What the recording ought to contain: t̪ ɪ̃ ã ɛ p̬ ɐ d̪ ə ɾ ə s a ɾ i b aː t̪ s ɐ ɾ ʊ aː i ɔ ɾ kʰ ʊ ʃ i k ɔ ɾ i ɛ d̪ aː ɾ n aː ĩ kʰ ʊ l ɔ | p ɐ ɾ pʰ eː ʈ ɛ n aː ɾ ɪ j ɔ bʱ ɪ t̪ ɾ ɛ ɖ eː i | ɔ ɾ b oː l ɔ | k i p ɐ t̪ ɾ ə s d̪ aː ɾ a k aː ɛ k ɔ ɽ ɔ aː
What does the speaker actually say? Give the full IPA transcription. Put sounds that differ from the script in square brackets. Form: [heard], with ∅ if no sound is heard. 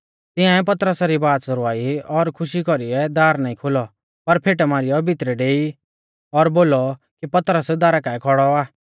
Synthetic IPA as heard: t̪ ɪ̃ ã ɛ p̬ ɐ [t̪] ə ɾ ə s a ɾ i b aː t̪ s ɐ ɾ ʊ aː i ɔ ɾ kʰ ʊ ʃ i k ɔ ɾ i ɛ d̪ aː ɾ n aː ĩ kʰ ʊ l ɔ | p ɐ ɾ pʰ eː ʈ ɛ [m] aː ɾ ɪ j ɔ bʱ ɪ t̪ ɾ ɛ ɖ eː i | ɔ ɾ b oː l ɔ | k i p ɐ t̪ ɾ ə s d̪ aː ɾ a k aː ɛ [kʰ] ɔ ɽ ɔ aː

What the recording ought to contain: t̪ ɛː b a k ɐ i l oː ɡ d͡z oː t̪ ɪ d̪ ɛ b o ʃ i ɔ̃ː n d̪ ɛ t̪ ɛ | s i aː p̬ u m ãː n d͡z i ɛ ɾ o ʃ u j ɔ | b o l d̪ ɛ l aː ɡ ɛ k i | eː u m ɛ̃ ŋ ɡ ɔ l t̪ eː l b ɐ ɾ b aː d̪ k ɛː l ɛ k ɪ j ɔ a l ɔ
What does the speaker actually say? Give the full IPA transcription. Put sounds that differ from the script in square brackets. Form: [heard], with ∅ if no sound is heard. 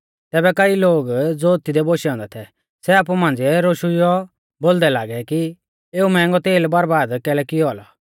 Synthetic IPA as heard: t̪ ɛː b [ɛ] k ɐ i l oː ɡ d͡z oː t̪ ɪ d̪ ɛ b o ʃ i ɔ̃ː n d̪ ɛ [t̪ʰ] ɛ | s [ɛ] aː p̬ u m ãː n d͡z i ɛ ɾ o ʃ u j ɔ | b o l d̪ ɛ l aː ɡ ɛ k i | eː u m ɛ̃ ŋ ɡ ɔ [∅] t̪ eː l b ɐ ɾ b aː d̪ k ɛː l ɛ k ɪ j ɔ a l ɔ

